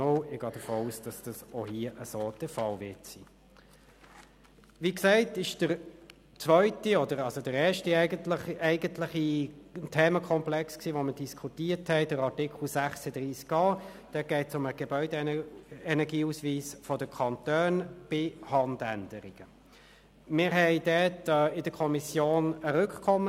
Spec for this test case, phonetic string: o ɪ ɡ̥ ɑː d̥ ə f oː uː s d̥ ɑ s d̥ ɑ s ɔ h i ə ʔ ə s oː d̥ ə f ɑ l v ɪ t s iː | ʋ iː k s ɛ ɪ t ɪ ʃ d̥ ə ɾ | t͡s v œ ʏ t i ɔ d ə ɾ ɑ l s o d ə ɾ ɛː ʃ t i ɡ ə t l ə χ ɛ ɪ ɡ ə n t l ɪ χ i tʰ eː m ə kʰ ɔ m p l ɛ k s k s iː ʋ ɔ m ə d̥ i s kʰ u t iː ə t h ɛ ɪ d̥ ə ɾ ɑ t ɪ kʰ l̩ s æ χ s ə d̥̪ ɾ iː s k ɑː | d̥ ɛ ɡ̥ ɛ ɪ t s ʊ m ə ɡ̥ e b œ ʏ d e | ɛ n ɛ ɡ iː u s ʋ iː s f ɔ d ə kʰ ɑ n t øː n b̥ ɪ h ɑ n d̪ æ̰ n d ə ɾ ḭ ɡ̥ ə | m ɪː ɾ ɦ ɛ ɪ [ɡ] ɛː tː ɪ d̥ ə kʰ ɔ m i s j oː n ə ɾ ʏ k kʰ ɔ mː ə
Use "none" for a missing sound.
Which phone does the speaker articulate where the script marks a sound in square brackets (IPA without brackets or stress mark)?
d